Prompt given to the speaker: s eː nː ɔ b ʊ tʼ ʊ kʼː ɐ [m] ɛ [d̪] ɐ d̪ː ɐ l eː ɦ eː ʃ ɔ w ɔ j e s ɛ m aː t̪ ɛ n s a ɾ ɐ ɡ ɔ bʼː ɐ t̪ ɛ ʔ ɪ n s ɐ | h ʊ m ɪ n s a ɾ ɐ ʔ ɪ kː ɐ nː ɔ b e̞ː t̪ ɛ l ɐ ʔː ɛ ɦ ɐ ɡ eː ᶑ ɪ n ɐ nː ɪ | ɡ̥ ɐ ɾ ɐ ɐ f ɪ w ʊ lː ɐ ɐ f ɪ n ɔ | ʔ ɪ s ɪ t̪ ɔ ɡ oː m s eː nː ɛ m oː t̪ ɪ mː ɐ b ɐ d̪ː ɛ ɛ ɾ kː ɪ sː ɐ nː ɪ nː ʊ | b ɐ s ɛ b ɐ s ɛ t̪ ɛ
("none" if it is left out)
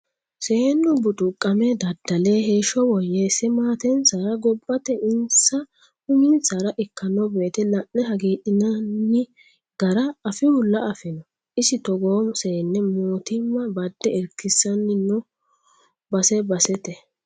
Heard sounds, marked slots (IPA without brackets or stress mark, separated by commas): m, d̪